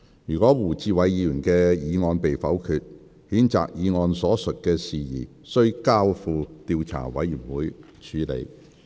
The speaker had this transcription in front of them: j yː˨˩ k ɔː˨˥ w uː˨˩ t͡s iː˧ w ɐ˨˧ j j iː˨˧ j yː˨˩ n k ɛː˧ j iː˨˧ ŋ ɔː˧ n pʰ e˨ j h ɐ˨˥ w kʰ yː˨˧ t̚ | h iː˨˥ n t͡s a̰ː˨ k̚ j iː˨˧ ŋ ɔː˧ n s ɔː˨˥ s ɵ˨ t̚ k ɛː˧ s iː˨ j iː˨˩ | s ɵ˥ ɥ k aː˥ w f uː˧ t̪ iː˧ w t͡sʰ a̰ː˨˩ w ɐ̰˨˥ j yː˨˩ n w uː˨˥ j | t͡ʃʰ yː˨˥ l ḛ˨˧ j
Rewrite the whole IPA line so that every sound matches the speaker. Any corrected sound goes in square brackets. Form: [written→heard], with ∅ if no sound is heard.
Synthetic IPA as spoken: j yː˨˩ k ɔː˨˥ w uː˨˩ t͡s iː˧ w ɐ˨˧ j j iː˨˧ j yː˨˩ n k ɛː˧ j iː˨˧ ŋ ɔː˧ n [pʰ→p] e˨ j [h→f] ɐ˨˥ w kʰ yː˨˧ t̚ | h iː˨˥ n t͡s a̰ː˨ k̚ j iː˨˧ ŋ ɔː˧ n s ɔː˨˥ s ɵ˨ t̚ k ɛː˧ s iː˨ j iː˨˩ | s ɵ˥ ɥ k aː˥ w f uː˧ t̪ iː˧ w t͡sʰ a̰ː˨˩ w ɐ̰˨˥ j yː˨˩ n w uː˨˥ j | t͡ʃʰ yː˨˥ l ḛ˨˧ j